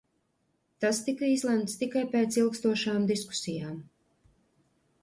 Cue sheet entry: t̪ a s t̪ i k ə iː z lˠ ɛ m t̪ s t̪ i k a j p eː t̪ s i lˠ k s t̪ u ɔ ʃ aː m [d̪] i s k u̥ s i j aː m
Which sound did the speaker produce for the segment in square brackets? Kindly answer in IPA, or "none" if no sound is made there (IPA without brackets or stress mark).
d̪